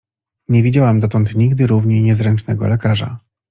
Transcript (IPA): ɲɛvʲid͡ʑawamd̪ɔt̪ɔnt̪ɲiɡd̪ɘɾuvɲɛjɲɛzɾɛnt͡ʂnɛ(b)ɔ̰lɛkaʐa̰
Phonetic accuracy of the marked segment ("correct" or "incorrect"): incorrect